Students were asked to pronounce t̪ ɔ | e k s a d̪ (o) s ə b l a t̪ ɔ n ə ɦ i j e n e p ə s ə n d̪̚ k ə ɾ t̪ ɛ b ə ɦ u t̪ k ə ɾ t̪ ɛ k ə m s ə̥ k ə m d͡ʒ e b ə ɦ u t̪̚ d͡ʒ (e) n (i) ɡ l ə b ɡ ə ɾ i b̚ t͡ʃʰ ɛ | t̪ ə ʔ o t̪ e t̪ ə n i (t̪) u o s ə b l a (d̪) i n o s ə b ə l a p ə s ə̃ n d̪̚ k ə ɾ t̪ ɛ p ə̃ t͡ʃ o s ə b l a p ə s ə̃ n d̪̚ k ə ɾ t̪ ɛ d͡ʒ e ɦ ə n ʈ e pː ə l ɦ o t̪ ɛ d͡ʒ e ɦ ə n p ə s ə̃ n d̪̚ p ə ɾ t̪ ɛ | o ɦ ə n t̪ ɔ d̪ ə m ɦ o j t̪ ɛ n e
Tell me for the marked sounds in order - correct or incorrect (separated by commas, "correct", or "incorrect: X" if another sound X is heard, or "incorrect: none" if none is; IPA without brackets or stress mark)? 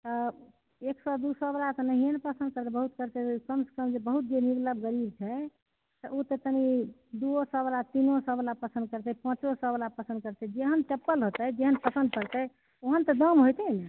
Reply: incorrect: u, correct, correct, incorrect: d̪, incorrect: t̪